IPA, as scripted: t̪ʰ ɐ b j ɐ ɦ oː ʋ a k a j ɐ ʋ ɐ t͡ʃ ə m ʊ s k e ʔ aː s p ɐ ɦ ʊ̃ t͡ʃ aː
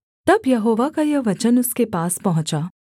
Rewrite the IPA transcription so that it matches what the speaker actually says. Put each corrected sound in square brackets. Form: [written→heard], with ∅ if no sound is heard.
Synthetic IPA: [t̪ʰ→t̪] ɐ b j ɐ ɦ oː ʋ a k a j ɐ ʋ ɐ t͡ʃ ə [m→n] ʊ s k e [ʔ→p] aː s p ɐ ɦ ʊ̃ t͡ʃ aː